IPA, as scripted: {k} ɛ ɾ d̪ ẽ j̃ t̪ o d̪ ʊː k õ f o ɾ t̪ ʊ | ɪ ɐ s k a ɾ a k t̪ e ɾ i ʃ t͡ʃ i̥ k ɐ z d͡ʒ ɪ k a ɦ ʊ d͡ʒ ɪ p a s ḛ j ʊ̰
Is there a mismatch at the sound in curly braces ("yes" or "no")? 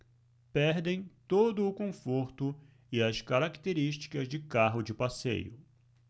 yes